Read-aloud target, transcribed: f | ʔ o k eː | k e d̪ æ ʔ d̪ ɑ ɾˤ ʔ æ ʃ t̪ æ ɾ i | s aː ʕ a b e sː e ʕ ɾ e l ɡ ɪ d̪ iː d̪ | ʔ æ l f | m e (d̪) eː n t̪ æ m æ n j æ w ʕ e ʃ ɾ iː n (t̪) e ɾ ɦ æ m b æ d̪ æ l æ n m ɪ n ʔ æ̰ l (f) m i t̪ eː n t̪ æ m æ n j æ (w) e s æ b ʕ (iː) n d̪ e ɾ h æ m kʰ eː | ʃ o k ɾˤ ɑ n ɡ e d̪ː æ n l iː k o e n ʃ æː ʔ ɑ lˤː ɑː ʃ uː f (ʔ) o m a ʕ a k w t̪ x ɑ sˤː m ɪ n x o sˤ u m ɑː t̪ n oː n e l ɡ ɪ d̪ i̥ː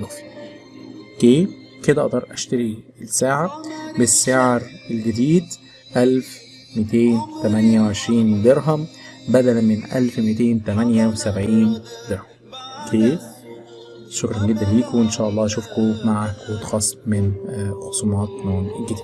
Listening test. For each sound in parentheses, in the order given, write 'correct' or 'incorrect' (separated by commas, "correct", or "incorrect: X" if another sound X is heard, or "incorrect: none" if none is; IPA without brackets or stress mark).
incorrect: t̪, incorrect: d̪, correct, correct, correct, incorrect: k